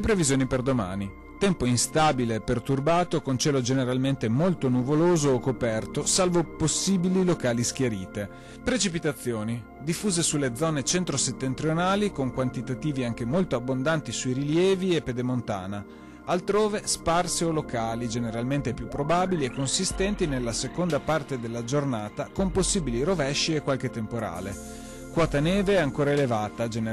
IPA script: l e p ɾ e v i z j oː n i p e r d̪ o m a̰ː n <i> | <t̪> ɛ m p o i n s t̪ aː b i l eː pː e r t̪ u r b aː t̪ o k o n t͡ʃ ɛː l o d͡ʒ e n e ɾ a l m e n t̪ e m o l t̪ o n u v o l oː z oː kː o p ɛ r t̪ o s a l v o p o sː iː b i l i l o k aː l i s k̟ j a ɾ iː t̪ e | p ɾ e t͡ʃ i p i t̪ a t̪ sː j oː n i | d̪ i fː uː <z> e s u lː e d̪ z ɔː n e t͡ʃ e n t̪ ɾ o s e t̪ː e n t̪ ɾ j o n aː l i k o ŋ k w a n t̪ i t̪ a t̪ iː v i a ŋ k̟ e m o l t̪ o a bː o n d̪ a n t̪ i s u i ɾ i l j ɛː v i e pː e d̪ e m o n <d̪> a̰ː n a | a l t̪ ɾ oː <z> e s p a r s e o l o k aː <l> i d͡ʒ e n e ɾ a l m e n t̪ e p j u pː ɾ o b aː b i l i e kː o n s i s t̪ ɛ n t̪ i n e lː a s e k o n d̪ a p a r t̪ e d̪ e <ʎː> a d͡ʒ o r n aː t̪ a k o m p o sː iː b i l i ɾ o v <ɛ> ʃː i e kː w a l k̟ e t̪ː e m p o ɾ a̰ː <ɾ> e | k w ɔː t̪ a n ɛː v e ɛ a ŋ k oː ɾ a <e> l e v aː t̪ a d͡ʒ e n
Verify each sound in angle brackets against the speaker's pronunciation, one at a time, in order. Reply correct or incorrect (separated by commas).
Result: correct, correct, correct, incorrect, incorrect, correct, incorrect, correct, incorrect, correct